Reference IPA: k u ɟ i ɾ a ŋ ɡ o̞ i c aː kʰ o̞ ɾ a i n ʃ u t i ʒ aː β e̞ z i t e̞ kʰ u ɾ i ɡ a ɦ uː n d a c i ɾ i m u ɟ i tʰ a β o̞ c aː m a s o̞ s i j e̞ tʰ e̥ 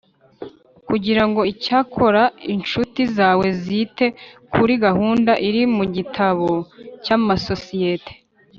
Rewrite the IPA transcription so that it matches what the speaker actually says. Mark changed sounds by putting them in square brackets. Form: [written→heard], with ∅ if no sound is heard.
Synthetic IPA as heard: k u ɟ i ɾ a ŋ ɡ o̞ i c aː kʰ o̞ ɾ a i n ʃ u t i [ʒ→z] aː [β→w] e̞ z i t e̞ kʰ u ɾ i ɡ a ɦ uː n d a [c→ʔ] i ɾ i m u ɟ i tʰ a β o̞ c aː m a s o̞ s i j e̞ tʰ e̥